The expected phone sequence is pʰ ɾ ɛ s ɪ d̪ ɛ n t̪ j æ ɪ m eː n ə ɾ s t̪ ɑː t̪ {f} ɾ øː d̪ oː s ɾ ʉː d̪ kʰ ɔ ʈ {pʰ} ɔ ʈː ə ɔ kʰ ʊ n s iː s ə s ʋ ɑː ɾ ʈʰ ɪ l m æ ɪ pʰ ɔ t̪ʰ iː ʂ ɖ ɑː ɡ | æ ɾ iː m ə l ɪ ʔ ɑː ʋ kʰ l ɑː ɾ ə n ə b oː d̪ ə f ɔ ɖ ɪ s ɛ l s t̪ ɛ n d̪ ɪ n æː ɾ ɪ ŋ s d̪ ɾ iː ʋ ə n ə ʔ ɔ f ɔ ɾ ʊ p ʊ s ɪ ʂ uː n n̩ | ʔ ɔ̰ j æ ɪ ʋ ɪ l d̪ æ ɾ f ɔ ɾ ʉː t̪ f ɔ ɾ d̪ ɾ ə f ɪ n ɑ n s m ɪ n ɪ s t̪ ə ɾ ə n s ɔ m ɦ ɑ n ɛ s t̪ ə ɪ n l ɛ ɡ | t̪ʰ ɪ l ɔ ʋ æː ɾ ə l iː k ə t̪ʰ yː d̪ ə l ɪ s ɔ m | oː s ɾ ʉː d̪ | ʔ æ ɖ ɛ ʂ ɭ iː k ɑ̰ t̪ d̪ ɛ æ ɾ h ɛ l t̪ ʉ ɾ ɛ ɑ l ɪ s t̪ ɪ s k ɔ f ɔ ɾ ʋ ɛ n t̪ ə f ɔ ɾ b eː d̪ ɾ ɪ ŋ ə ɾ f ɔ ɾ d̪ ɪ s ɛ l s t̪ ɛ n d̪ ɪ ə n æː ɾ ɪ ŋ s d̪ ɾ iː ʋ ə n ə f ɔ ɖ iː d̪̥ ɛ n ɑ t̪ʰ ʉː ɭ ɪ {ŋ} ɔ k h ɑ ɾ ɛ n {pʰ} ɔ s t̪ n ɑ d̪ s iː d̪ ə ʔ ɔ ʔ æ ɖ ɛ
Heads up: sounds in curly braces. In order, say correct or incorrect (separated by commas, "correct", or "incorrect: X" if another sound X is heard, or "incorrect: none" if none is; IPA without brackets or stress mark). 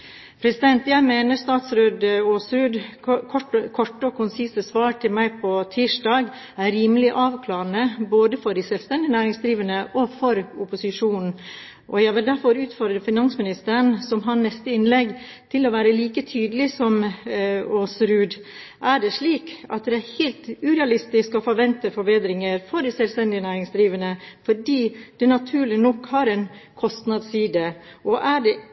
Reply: incorrect: s, incorrect: kʰ, incorrect: n, incorrect: kʰ